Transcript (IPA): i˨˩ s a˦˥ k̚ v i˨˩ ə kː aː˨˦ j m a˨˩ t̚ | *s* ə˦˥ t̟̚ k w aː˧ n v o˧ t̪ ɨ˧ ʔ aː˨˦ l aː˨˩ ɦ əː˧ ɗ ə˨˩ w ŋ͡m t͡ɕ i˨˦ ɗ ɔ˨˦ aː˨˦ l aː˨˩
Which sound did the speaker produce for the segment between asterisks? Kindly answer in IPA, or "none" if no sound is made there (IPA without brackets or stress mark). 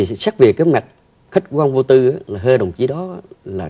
x